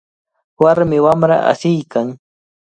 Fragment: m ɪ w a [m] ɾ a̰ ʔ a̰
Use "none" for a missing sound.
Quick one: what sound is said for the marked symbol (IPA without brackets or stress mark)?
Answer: m